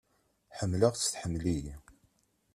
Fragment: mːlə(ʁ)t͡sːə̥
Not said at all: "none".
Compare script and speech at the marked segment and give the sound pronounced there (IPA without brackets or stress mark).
ʁ